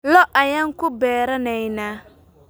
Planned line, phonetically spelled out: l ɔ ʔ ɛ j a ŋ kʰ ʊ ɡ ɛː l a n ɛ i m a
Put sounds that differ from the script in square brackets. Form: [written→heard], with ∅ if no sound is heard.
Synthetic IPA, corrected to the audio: l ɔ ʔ [ɛ→a] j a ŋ [kʰ→k] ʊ [ɡ→b] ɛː [l→ɾ] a n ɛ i [m→n] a